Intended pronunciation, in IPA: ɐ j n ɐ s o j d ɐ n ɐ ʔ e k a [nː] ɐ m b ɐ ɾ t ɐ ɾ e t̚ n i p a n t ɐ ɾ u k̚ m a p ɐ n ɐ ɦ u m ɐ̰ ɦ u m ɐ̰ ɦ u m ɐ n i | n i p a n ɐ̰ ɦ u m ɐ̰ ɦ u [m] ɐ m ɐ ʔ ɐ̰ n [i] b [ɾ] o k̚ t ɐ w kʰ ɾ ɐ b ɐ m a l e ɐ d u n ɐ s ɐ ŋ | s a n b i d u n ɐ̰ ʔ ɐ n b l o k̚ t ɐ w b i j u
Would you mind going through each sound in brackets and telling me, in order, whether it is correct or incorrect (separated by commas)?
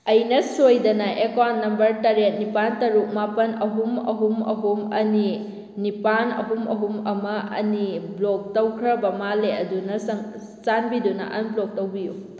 correct, correct, correct, incorrect